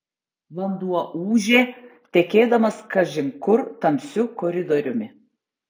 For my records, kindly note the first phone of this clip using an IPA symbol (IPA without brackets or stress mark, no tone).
ʋ